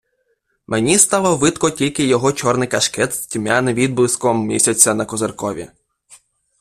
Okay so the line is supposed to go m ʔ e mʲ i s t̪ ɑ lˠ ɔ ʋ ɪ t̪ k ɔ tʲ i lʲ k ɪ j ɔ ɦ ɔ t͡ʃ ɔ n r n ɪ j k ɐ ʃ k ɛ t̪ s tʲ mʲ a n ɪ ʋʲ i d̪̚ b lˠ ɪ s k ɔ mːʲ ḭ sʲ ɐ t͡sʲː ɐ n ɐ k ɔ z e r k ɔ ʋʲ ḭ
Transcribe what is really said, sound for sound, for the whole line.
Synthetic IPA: m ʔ e nʲ i s t̪ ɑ lˠ ɔ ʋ ɪ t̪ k ɔ tʲ i lʲ k ɪ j ɔ ɦ ɔ t͡ʃ ɔ r n ɪ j k ɐ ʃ k ɛ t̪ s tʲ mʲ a n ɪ ʋʲ i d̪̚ b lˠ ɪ s k ɔ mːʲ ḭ sʲ ɐ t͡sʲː ɐ n ɐ k ɔ z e r k ɔ ʋʲ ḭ